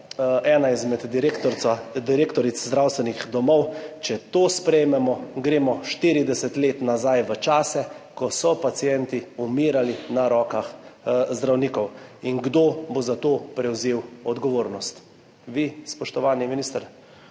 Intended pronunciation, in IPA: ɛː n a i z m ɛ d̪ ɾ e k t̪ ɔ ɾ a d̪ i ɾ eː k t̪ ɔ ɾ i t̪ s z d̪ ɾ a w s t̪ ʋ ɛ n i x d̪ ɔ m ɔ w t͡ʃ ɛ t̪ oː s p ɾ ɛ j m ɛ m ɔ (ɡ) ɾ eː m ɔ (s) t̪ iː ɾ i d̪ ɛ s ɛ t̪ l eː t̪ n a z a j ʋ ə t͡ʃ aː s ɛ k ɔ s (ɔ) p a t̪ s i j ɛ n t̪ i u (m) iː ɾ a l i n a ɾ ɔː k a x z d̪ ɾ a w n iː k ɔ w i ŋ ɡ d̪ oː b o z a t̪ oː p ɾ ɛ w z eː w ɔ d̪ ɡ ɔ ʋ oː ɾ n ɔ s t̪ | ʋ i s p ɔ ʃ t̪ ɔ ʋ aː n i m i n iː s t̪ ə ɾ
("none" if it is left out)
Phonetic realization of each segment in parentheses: ɡ, ʃ, ɔ, m

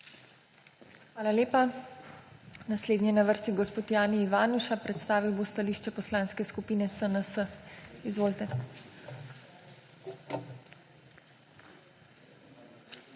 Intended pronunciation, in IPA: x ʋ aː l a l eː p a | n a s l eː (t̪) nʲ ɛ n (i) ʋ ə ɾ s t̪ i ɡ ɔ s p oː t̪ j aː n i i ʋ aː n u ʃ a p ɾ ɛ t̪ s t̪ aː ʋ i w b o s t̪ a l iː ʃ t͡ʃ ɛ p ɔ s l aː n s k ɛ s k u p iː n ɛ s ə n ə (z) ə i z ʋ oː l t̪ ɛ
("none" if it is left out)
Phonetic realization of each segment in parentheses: d̪, a, s

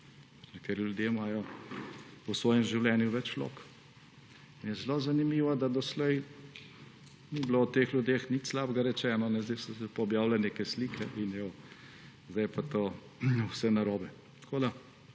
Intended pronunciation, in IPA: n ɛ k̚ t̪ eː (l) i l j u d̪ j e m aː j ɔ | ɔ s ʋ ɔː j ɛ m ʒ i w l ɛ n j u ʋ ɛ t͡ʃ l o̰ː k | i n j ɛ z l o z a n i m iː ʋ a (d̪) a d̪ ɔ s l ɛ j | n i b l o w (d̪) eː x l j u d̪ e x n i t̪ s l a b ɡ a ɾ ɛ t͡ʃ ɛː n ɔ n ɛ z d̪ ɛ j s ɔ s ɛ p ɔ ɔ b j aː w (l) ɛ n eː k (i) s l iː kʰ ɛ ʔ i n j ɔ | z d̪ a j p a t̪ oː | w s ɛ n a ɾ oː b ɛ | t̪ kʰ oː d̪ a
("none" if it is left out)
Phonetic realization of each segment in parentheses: ɾ, d̪, t̪, l, ɛ

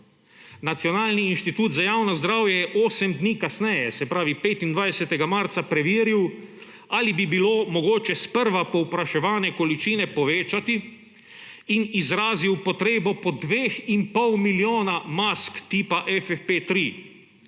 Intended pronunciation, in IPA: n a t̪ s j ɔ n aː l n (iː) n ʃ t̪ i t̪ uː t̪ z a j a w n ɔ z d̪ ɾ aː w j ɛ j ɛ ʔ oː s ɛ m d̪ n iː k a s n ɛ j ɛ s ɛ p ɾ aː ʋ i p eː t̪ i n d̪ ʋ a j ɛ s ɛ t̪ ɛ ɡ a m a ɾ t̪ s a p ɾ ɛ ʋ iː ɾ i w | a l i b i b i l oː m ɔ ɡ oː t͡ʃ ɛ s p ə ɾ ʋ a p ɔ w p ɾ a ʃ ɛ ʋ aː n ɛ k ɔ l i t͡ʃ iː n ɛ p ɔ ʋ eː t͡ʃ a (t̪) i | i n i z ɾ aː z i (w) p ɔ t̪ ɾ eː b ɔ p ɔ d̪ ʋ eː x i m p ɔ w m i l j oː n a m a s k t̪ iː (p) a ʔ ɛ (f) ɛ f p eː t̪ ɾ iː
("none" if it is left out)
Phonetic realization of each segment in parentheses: iː, t̪, w, p, f

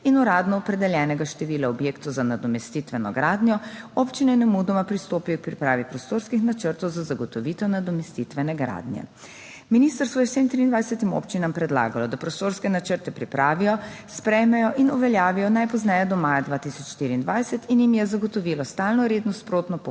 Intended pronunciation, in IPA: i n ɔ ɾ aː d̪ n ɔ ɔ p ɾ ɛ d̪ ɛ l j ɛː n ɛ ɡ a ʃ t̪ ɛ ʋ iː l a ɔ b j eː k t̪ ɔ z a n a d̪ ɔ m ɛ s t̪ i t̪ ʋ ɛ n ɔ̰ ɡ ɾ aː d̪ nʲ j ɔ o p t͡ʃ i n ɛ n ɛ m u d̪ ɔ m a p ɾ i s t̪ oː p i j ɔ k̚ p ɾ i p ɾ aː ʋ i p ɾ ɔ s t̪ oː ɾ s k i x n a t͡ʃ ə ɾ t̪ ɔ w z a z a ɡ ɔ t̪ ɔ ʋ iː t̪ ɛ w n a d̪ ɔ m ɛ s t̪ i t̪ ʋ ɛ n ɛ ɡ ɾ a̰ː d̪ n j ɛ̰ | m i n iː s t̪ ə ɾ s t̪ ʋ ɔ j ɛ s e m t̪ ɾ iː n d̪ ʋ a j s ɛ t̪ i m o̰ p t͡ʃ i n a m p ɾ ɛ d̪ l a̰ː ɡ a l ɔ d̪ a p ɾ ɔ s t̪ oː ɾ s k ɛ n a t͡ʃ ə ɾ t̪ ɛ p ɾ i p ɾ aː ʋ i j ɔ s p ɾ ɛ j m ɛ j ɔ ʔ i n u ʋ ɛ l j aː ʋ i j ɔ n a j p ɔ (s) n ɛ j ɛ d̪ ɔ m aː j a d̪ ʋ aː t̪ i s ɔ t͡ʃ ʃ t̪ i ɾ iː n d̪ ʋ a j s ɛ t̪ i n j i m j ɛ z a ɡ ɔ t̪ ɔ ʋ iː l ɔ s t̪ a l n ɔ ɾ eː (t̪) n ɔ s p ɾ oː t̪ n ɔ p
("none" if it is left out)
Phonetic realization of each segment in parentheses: z, d̪

